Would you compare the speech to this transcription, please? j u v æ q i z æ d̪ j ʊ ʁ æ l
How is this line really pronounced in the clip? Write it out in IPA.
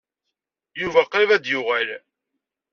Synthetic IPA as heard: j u v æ q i v æ d̪ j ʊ ʁ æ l

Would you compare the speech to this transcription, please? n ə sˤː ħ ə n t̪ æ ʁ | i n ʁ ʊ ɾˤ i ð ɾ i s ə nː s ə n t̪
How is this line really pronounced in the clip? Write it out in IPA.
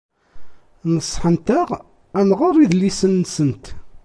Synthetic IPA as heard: n ə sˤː ħ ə n t̪ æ ʁ | æ n ʁ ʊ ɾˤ i ð l i s ə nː s ə n t̪

